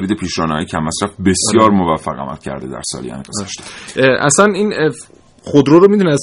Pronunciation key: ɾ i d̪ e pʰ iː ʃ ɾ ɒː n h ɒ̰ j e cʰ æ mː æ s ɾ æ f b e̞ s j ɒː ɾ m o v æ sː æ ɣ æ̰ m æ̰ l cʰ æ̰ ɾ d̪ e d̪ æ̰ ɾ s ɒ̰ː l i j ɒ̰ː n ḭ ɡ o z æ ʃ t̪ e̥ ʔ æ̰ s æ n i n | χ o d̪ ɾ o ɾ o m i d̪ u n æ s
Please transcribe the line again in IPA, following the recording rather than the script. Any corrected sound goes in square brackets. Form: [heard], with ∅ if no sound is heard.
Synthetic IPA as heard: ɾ i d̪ e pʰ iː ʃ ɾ ɒː n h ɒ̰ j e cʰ æ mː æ s ɾ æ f b e̞ s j ɒː ɾ m o v æ [fː] æ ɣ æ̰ m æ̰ l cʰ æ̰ ɾ d̪ e d̪ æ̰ ɾ s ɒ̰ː l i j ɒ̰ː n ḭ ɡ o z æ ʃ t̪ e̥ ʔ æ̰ s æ n i n | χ o d̪ ɾ o ɾ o m i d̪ u n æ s